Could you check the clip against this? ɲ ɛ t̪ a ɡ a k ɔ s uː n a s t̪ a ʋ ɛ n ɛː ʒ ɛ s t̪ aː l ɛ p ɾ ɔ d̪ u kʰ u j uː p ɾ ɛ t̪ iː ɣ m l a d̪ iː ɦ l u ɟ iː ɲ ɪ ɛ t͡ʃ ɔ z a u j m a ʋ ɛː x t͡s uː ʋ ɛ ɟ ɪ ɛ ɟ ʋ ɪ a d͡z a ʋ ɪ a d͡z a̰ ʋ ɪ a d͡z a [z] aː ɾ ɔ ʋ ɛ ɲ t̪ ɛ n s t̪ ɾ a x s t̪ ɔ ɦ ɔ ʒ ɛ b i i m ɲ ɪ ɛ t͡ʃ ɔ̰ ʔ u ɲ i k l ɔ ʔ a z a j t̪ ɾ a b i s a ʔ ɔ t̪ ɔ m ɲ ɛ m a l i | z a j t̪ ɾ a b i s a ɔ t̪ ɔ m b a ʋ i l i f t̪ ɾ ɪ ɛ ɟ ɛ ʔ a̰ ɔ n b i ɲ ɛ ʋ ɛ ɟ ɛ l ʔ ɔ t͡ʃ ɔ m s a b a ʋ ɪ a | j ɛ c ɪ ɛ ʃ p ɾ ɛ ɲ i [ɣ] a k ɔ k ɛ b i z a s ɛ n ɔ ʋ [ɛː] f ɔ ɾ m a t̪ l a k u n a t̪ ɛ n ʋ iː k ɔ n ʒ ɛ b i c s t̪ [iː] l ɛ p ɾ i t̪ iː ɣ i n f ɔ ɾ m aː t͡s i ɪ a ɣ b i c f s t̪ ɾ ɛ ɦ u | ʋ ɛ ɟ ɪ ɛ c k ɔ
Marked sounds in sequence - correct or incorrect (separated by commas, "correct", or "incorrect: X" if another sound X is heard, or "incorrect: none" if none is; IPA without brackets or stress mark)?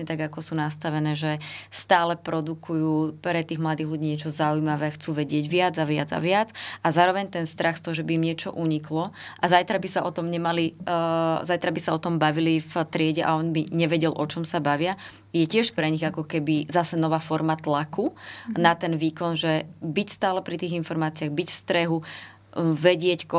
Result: correct, correct, incorrect: aː, incorrect: aː